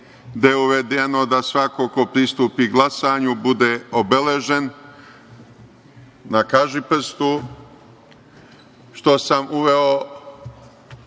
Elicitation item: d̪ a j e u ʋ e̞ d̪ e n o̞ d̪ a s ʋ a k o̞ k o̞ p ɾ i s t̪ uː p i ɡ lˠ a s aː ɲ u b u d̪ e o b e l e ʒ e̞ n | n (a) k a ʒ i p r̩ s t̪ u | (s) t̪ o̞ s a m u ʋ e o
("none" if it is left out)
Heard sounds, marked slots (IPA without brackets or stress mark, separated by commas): a, ʃ